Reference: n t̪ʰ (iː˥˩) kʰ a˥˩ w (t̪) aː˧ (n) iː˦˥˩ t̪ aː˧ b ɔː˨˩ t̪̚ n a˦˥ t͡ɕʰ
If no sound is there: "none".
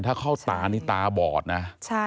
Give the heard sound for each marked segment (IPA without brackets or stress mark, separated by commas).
aː˥˩, t̪, n